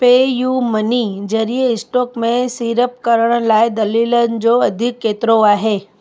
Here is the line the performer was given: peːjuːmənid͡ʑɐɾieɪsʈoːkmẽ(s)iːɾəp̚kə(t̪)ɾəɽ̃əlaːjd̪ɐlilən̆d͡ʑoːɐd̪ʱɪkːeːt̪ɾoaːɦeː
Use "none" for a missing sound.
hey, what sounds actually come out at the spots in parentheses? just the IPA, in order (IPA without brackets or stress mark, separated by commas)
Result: s, none